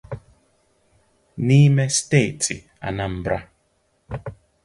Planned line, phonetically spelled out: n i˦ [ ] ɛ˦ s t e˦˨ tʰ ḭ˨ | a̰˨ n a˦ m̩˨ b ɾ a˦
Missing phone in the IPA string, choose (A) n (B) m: B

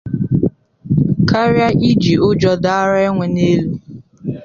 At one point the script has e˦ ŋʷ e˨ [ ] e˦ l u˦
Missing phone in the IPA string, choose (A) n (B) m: A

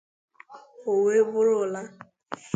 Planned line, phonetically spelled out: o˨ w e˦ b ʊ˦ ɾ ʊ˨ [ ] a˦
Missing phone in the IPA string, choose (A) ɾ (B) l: B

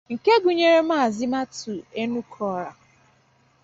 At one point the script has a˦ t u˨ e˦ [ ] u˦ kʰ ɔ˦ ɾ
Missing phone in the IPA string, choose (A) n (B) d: A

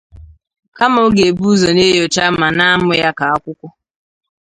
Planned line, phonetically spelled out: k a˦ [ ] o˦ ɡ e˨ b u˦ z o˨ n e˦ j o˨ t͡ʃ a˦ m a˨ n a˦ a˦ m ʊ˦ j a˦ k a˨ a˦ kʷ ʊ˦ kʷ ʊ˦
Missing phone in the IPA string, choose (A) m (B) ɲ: A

